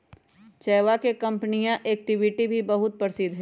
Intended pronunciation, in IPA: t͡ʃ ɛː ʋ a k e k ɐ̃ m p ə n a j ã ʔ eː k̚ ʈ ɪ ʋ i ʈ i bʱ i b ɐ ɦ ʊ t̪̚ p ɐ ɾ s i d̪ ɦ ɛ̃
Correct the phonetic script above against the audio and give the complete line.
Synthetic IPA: t͡ʃ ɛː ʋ a k e k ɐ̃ m p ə n i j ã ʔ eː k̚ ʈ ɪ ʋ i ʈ i bʱ i b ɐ ɦ ʊ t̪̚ p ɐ ɾ s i d̪ ɦ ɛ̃